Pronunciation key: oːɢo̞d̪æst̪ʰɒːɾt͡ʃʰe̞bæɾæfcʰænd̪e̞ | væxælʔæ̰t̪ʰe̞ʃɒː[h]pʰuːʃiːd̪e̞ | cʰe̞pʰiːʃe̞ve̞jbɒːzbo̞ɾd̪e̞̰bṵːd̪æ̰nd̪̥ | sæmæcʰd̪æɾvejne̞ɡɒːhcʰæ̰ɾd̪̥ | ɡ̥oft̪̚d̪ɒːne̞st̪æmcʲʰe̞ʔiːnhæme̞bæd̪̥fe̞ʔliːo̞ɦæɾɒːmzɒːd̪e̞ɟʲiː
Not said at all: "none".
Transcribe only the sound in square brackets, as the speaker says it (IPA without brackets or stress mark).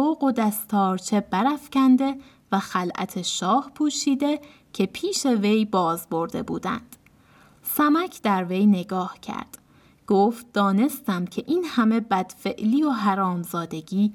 h